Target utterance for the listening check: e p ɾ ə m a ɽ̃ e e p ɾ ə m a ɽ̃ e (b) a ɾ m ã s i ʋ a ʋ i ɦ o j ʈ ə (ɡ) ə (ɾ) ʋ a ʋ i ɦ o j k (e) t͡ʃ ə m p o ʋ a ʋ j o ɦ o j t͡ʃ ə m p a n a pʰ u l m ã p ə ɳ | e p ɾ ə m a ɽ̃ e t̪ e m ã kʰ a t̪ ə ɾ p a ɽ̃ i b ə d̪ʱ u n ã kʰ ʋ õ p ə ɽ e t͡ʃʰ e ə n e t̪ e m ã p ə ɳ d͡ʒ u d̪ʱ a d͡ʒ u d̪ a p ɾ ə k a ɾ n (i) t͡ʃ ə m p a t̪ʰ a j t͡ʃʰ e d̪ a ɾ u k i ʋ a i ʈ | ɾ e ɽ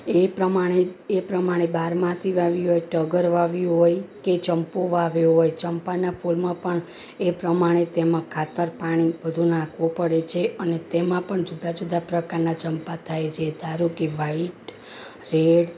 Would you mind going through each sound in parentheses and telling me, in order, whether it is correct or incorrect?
correct, correct, correct, correct, incorrect: a

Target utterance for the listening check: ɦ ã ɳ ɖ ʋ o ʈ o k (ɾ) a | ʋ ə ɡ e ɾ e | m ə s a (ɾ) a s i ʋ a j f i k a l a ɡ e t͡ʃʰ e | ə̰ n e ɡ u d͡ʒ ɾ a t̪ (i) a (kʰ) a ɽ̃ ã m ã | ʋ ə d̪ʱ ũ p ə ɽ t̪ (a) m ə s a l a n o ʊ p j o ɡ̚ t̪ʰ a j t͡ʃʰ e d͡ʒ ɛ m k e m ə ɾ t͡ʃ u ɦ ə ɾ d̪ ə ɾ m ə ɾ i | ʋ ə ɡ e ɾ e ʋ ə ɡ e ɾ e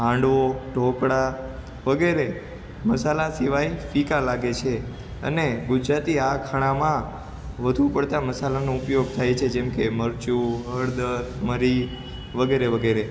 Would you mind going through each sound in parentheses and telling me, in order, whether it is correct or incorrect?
incorrect: ɽ, incorrect: l, correct, correct, correct

